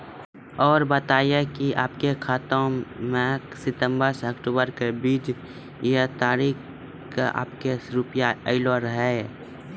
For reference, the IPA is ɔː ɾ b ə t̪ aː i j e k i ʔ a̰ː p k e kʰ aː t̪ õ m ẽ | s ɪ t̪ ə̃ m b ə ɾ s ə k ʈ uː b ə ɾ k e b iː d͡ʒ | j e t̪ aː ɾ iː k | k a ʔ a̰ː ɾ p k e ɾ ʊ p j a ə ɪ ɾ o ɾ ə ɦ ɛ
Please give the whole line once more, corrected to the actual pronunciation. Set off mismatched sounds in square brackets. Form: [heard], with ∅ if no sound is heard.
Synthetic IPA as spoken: ɔː ɾ b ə t̪ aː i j e k i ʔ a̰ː p k e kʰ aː t̪ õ m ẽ | s ɪ t̪ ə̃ m b ə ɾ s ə k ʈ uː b ə ɾ k e b iː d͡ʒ | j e t̪ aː ɾ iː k | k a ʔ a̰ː [∅] p k e ɾ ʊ p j a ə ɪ [l] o ɾ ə ɦ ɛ